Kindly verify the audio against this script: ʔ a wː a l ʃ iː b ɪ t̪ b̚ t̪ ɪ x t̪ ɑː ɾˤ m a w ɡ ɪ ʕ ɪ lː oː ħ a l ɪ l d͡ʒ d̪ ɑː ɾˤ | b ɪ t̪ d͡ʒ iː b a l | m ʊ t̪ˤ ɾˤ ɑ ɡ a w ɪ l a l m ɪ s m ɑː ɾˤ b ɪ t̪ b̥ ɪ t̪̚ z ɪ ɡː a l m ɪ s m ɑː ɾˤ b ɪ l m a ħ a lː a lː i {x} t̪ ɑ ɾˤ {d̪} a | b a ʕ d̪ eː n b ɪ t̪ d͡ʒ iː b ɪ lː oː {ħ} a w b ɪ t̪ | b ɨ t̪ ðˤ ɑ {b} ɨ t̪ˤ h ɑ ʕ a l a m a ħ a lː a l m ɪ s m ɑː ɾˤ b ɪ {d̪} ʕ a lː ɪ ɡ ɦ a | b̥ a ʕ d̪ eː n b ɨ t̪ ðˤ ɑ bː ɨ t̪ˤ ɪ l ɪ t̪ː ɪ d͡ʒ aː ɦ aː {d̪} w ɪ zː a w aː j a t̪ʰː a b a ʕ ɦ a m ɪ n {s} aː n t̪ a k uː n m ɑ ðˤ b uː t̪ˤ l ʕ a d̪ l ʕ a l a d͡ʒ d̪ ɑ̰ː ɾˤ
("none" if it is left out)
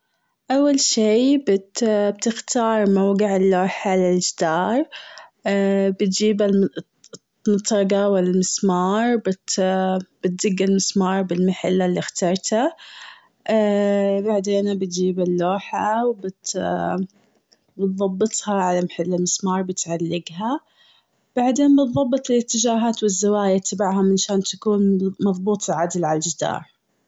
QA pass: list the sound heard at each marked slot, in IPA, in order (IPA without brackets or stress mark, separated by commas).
x, t̪, ħ, bː, t̪, t̪, ʃ